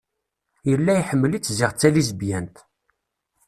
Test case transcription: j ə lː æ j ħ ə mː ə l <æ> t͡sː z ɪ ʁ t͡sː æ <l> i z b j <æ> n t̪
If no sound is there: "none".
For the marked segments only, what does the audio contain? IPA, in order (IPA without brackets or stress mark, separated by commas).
i, l, æ